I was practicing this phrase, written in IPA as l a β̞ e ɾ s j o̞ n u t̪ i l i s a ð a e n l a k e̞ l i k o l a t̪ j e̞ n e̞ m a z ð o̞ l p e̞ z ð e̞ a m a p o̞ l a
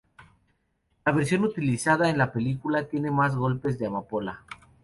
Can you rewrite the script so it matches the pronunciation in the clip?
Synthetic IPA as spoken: l a β̞ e ɾ s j o̞ n u t̪ i l i s a ð a e n l a p e̞ l i k u l a t̪ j e̞ n e̞ m a z ɣ o̞ l p e̞ z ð e̞ a m a p o̞ l a